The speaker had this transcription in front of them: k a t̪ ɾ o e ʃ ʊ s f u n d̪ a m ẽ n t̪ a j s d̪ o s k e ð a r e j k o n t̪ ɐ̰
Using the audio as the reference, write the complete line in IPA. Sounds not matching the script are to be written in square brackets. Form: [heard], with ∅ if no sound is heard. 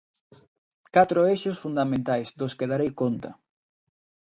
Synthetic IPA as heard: k a t̪ ɾ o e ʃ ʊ s f u n d̪ a m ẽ n t̪ a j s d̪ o s k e ð a [ɾ] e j k o n t̪ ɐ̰